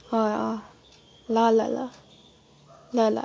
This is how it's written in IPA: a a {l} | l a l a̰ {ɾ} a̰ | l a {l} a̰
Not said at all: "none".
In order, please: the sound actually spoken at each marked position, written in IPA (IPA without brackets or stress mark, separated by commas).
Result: none, l, l